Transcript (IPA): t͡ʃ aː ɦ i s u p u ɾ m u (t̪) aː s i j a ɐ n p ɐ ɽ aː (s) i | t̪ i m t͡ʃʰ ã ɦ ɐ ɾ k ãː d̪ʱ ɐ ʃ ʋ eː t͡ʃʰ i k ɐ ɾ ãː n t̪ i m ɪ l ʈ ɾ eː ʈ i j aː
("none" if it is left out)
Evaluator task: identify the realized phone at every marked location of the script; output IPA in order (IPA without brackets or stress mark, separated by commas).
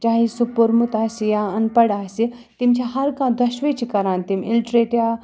t̪, s